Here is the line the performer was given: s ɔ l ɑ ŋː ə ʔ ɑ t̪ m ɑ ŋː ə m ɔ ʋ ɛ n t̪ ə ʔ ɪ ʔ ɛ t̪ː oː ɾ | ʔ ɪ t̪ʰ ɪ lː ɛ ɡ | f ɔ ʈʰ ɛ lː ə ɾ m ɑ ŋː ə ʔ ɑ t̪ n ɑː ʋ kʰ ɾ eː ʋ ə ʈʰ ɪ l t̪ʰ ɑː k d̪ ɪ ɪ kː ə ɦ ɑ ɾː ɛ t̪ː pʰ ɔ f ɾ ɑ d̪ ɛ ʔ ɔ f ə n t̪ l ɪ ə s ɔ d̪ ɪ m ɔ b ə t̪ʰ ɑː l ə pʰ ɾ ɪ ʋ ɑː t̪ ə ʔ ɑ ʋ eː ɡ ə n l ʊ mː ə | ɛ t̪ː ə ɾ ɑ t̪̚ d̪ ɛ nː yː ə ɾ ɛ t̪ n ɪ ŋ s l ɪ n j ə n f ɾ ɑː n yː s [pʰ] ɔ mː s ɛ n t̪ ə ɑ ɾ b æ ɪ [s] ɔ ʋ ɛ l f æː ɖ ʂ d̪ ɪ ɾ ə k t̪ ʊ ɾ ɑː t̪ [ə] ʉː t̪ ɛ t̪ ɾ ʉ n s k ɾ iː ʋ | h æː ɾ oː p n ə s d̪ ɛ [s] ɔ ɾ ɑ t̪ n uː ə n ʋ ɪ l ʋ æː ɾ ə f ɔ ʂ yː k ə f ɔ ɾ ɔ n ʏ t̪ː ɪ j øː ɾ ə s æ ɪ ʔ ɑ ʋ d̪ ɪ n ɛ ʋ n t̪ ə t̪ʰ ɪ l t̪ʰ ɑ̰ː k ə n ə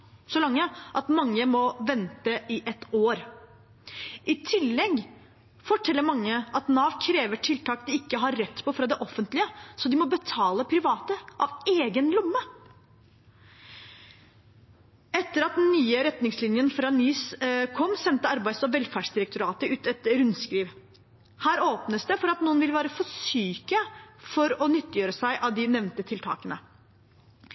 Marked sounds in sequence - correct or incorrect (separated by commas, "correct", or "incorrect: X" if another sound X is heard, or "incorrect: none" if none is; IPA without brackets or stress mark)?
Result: incorrect: kʰ, correct, correct, incorrect: f